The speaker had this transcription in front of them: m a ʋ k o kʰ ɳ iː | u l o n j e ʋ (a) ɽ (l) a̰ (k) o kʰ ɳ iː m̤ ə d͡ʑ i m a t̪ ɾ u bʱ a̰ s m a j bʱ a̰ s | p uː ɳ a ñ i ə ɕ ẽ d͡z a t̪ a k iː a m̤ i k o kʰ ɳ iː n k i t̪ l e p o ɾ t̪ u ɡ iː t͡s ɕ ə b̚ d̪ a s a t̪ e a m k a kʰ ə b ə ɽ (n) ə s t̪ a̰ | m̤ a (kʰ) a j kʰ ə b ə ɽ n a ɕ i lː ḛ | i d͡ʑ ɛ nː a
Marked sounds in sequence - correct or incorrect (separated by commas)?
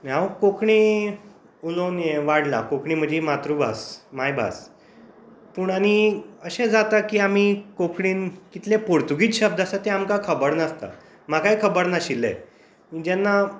correct, correct, correct, correct, incorrect